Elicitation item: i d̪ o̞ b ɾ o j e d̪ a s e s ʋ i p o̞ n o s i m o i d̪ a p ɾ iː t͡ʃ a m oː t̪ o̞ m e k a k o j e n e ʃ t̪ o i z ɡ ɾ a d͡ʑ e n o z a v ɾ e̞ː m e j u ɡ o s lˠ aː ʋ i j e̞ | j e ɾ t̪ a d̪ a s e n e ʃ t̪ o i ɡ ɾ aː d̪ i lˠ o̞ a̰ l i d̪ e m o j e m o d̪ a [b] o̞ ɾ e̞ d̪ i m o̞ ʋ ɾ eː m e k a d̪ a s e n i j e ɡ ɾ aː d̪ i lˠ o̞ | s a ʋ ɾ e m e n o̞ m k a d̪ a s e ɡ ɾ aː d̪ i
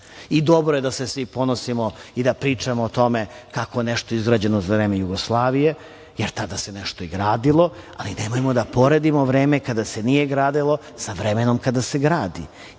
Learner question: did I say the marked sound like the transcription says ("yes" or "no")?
no